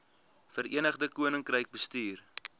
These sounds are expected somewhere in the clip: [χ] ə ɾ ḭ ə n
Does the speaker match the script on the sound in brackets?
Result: no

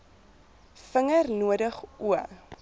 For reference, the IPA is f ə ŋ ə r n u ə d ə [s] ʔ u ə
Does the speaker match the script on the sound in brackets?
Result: no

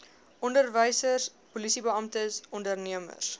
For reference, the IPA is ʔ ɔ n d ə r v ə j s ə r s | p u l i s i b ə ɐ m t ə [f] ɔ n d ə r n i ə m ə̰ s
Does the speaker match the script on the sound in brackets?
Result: no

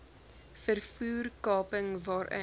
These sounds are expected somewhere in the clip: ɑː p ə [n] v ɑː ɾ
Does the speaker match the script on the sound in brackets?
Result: no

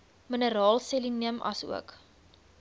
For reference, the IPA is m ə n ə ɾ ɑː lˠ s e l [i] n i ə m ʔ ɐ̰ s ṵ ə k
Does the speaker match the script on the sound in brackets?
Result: yes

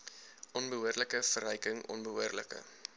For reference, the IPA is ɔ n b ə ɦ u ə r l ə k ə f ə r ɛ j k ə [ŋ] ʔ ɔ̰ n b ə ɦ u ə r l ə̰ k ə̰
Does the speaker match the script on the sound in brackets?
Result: yes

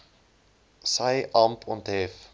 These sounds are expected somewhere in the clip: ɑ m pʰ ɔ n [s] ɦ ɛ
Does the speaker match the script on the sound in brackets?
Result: no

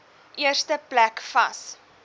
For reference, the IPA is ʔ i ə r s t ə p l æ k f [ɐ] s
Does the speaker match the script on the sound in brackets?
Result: yes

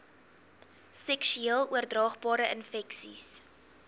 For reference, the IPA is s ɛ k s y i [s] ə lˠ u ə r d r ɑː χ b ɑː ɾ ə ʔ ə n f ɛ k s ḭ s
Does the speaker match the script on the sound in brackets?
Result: no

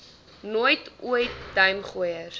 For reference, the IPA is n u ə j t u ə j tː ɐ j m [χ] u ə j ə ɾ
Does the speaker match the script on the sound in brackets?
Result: yes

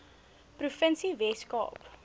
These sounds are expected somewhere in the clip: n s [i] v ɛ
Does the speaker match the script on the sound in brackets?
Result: yes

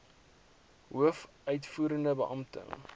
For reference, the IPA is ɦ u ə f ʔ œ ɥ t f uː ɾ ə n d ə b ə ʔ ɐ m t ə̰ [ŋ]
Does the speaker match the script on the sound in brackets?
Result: yes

